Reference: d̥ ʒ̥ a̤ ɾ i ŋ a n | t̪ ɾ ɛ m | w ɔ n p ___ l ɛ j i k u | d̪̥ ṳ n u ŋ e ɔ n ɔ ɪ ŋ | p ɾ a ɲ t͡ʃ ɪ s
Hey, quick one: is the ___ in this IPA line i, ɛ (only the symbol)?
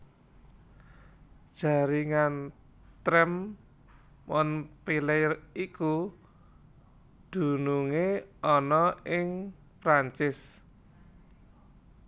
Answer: i